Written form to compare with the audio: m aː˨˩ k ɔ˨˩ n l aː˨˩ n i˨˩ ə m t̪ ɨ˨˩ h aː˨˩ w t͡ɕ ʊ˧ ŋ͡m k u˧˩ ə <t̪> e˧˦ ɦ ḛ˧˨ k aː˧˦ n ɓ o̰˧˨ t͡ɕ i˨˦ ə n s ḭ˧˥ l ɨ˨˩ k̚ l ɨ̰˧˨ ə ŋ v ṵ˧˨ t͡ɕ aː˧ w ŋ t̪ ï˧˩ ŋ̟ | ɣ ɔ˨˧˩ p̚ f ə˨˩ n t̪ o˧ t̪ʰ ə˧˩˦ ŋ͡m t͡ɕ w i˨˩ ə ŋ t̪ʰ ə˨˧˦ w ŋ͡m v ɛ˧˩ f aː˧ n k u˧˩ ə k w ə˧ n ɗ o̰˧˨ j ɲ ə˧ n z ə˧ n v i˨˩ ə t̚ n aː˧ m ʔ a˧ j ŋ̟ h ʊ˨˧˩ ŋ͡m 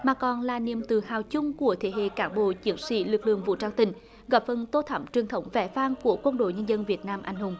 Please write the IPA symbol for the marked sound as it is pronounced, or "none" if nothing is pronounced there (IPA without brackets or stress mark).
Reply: t̪ʰ